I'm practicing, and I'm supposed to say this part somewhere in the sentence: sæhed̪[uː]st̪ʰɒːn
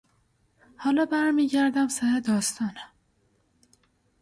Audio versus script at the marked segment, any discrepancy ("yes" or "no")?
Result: yes